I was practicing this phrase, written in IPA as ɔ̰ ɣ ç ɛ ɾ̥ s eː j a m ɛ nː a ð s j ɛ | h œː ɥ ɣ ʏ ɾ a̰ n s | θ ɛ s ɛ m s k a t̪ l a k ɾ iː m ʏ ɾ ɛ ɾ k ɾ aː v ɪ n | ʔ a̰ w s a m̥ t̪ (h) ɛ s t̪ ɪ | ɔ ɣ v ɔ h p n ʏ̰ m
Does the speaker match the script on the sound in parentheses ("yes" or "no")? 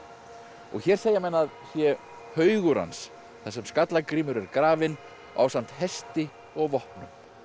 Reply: yes